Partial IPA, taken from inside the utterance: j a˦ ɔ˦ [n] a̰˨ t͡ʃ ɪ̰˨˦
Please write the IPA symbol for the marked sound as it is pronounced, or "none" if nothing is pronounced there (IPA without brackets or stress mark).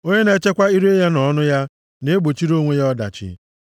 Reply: d